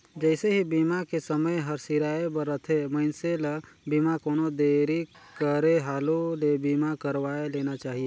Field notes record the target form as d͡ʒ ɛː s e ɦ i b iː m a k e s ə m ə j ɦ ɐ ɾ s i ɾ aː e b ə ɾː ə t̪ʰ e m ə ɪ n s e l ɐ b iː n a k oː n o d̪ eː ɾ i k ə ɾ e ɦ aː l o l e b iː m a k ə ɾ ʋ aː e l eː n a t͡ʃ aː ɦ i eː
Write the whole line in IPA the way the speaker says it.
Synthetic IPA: d͡ʒ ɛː s e ɦ i b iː m a k e s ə m ə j ɦ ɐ ɾ s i ɾ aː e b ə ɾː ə t̪ʰ e m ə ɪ n s e l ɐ b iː m a k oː n o d̪ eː ɾ i k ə ɾ e ɦ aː l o l e b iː m a k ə ɾ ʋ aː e l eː n a t͡ʃ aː ɦ i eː